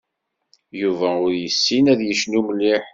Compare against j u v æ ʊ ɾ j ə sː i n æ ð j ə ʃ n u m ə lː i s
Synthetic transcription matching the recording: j u v æ ʊ ɾ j ə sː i n æ ð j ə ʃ n u m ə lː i ħ